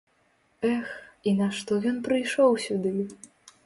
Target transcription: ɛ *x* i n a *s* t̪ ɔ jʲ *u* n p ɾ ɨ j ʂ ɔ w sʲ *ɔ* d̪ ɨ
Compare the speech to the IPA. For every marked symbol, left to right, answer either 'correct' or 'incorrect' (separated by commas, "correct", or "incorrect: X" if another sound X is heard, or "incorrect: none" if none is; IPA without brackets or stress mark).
correct, incorrect: ʂ, incorrect: ɔ, incorrect: u